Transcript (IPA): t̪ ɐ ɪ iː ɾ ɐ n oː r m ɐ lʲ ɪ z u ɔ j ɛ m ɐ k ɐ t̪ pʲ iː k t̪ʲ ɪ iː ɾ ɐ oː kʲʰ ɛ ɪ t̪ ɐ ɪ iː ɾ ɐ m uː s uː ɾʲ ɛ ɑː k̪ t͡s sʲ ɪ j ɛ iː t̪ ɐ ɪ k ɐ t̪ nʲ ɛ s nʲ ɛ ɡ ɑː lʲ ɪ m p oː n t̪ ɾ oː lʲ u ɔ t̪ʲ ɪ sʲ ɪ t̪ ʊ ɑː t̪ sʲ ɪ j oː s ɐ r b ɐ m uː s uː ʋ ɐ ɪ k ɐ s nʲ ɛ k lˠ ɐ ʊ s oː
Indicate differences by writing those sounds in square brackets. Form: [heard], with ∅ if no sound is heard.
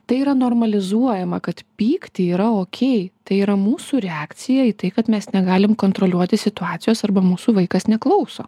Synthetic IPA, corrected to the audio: t̪ ɐ ɪ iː ɾ ɐ n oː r m ɐ lʲ ɪ z u ɔ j ɛ m ɐ k ɐ t̪ pʲ iː k t̪ʲ ɪ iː ɾ ɐ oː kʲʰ ɛ ɪ t̪ ɐ ɪ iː ɾ ɐ m uː s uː ɾʲ ɛ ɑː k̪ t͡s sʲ ɪ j ɛ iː t̪ ɐ ɪ k ɐ t̪ [mʲ] ɛ s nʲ ɛ ɡ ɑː lʲ ɪ m [k] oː n t̪ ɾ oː lʲ u ɔ t̪ʲ ɪ sʲ ɪ t̪ ʊ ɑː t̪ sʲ ɪ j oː s ɐ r b ɐ m uː s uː ʋ ɐ ɪ k ɐ s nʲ ɛ k lˠ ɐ ʊ s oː